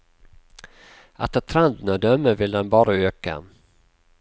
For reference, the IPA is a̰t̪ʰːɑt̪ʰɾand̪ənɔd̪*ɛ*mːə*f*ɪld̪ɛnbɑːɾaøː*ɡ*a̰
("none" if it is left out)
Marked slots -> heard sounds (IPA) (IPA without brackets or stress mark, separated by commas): œ, v, k